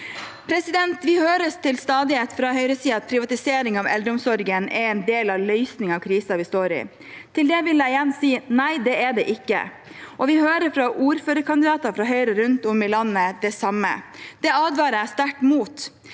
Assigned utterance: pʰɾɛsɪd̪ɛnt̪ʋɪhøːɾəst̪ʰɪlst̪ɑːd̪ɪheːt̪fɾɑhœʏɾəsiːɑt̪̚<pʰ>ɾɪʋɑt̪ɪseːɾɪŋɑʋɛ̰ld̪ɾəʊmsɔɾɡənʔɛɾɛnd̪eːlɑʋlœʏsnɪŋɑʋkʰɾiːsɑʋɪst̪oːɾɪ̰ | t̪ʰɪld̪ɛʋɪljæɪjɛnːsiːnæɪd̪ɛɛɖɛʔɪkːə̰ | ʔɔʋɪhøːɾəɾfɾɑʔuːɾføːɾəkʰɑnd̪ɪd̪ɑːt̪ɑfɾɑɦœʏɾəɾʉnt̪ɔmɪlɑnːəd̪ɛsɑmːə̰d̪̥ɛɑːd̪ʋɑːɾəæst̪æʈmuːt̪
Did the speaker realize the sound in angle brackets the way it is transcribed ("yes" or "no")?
yes